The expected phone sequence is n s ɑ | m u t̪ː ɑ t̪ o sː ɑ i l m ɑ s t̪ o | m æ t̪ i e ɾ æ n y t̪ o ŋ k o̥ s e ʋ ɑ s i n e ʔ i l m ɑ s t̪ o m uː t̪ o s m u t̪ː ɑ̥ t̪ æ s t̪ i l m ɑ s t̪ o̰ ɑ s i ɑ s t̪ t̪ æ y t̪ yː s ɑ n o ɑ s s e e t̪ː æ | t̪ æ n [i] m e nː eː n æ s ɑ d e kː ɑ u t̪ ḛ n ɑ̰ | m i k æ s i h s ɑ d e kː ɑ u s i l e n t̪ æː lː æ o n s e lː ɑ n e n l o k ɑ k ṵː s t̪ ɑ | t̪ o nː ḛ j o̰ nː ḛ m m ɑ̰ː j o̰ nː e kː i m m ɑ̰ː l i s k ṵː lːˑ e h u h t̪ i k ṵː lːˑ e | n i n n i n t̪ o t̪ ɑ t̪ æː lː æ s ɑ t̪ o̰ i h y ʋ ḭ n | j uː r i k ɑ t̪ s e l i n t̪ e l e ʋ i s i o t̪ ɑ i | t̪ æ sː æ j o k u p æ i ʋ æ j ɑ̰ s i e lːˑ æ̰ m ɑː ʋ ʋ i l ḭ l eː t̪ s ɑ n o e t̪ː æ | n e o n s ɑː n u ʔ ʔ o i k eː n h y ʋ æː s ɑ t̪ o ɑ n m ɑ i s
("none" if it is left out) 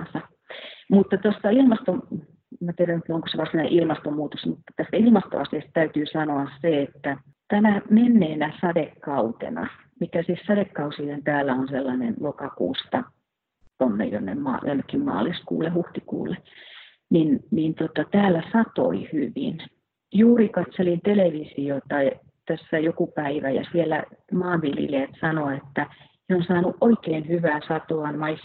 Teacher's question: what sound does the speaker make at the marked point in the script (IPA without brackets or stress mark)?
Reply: æ